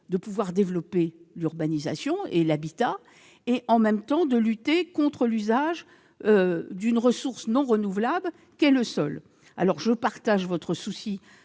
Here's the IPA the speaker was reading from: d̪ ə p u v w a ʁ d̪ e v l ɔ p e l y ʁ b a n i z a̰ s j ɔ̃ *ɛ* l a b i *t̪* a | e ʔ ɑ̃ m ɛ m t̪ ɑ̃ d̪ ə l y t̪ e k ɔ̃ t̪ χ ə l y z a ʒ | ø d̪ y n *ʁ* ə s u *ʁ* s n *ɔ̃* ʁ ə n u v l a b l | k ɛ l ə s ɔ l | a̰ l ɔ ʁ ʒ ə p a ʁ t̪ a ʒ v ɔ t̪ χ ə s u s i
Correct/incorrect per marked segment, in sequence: incorrect: e, correct, correct, correct, correct

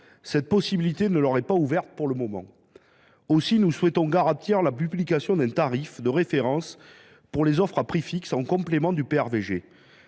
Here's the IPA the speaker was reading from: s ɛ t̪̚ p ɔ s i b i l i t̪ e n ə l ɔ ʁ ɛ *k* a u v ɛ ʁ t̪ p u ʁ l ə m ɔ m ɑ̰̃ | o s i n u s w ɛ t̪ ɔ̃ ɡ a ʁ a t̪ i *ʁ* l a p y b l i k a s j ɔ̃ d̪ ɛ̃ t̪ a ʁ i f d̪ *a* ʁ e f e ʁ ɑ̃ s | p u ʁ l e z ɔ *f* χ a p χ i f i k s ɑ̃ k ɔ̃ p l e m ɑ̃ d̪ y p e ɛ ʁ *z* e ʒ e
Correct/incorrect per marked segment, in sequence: incorrect: p, correct, incorrect: ə, correct, incorrect: v

